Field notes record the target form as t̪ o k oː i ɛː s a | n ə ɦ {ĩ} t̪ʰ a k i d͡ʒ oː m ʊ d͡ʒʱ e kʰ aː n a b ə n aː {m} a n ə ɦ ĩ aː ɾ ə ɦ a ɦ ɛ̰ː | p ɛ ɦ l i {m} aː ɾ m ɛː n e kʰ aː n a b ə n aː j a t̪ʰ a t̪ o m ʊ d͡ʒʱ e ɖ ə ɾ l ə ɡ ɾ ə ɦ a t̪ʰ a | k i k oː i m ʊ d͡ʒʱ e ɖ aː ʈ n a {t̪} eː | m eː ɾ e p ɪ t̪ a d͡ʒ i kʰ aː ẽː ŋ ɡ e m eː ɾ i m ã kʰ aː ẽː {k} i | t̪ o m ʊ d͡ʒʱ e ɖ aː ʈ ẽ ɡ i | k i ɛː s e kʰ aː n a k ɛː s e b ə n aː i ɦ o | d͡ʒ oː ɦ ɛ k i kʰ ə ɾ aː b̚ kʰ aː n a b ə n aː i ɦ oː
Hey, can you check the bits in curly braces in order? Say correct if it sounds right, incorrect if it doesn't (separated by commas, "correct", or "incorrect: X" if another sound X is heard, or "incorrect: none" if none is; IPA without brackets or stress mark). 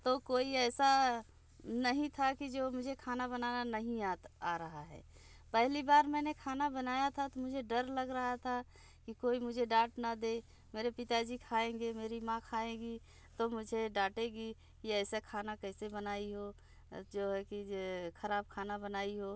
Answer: correct, incorrect: n, incorrect: b, incorrect: d̪, incorrect: ɡ